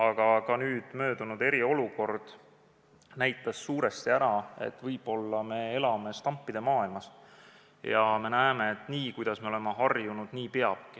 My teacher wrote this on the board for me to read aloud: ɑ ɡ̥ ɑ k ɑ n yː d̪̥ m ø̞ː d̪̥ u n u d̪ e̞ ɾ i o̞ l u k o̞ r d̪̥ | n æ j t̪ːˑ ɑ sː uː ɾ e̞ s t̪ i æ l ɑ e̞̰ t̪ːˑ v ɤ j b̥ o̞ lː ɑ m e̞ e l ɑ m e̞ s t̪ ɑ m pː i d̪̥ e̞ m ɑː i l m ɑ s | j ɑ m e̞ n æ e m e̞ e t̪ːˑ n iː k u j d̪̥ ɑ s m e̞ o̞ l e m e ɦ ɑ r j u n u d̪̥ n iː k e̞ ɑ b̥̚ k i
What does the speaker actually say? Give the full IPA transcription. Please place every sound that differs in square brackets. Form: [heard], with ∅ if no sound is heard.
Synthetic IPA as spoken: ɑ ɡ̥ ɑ k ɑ n yː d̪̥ m ø̞ː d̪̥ u n u d̪ e̞ ɾ i o̞ l u k o̞ r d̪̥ | n æ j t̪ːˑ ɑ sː uː ɾ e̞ s t̪ i æ [ɾ] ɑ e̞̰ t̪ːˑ v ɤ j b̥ o̞ lː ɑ m e̞ e l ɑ m e̞ s t̪ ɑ m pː i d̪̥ e̞ m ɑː i l m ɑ s | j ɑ m e̞ n æ e m e̞ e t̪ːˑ n iː k u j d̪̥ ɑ s m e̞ o̞ l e m e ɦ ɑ r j u n u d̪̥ n iː [p] e̞ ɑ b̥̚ k i